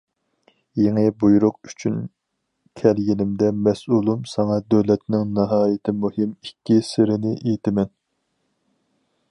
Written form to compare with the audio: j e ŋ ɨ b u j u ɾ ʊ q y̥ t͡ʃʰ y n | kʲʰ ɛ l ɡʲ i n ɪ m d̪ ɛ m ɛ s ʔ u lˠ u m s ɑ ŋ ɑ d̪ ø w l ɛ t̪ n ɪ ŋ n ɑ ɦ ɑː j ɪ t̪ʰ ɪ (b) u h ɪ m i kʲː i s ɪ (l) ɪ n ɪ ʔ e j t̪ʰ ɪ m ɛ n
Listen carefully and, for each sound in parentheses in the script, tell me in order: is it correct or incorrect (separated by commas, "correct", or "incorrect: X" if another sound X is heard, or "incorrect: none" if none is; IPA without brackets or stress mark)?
incorrect: m, incorrect: ɾ